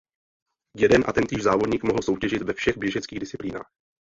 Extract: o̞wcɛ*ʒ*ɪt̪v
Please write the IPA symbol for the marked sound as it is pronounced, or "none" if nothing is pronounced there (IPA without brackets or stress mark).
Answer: ʒ